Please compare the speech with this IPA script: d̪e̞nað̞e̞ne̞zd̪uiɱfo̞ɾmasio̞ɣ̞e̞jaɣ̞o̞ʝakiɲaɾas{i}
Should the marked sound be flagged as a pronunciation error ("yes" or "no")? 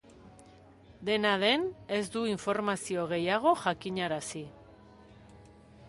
no